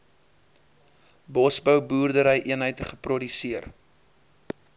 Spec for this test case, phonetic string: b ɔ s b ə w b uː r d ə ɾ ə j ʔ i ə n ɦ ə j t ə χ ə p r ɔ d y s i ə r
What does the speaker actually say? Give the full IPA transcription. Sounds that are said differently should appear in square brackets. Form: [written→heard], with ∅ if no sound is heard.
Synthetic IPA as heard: b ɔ s b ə w b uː r d ə ɾ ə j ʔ i ə n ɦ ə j t ə χ ə p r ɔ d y s i ə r